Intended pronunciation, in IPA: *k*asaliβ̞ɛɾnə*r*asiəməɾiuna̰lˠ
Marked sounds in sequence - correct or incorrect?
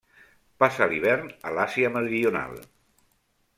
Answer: incorrect: p, incorrect: l

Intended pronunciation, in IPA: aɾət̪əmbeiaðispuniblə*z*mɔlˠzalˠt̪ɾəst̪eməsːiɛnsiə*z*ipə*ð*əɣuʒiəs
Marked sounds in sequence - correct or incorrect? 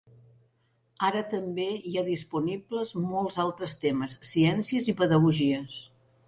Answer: correct, correct, correct

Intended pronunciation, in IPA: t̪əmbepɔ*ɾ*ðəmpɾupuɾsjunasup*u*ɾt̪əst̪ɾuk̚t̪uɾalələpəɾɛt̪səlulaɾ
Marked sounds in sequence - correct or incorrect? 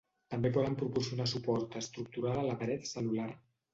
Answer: incorrect: none, incorrect: ɔ

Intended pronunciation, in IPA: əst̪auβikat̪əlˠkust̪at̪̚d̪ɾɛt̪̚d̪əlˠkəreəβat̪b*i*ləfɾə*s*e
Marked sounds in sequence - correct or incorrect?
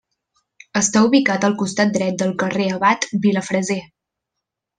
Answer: correct, incorrect: z

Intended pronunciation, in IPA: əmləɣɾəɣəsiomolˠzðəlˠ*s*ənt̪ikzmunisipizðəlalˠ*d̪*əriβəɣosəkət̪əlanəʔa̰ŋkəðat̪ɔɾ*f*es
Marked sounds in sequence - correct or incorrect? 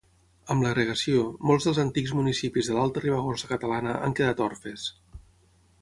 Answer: incorrect: z, incorrect: t̪, correct

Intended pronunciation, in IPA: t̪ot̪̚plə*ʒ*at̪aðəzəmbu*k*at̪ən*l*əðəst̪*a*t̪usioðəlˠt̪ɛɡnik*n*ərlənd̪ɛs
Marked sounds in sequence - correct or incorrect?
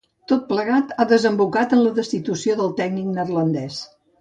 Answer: incorrect: ɣ, correct, correct, incorrect: i, correct

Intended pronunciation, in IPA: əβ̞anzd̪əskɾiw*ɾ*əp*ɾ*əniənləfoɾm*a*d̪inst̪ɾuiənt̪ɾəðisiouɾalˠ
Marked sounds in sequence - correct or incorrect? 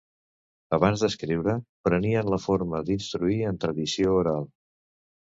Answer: correct, correct, incorrect: ə

